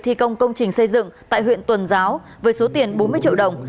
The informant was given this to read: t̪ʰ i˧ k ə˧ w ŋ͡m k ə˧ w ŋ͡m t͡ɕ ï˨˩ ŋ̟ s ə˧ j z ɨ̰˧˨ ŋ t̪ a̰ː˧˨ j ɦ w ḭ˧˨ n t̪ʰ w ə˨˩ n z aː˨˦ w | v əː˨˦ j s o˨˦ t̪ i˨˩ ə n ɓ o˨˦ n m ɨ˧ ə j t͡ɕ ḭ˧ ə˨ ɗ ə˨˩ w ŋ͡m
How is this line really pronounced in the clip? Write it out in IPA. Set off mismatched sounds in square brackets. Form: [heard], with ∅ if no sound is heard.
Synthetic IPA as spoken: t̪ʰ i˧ k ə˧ w ŋ͡m k ə˧ w ŋ͡m t͡ɕ ï˨˩ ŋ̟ s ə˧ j z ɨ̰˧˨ ŋ t̪ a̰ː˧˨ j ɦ w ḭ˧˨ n [t̪] w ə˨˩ n z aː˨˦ w | v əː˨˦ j s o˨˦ t̪ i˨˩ ə n ɓ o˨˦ n m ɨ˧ ə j t͡ɕ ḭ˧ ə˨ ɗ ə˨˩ w ŋ͡m